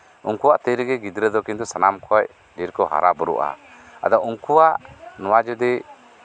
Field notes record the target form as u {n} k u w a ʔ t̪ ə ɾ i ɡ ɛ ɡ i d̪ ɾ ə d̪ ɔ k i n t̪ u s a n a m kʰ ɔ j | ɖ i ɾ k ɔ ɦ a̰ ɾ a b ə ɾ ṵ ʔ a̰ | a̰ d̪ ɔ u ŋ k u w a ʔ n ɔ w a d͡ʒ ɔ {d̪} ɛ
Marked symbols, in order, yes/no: no, yes

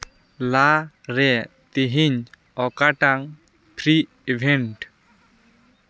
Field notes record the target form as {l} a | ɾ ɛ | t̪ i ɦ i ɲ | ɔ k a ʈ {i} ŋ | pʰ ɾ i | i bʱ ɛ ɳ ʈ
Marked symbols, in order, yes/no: yes, no

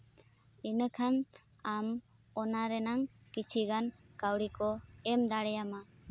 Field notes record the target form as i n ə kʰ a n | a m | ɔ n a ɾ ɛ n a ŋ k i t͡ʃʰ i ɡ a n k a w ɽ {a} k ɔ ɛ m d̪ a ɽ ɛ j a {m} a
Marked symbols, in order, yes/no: no, yes

